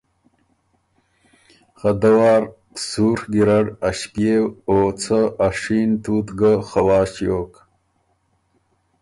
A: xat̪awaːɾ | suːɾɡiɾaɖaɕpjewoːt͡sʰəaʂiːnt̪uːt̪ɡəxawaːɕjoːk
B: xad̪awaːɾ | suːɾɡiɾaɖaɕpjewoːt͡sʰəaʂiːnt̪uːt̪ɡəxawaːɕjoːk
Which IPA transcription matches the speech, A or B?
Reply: B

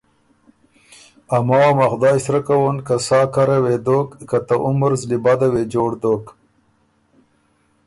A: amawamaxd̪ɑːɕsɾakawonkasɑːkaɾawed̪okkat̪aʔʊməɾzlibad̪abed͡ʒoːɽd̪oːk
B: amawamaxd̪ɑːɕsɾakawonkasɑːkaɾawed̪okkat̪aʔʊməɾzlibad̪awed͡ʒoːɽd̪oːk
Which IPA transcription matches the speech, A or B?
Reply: B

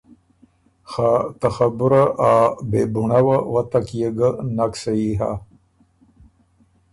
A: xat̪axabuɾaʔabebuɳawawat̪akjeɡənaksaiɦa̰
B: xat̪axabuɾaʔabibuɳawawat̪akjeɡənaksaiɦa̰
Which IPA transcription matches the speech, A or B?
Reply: A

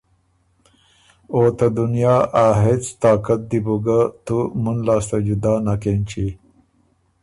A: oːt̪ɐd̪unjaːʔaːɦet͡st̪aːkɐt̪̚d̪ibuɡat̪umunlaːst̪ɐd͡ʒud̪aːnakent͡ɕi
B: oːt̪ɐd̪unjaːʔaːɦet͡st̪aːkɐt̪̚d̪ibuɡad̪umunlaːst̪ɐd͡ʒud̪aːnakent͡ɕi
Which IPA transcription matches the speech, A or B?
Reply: A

